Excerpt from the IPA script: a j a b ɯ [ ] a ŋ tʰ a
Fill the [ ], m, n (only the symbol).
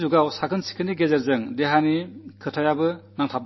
n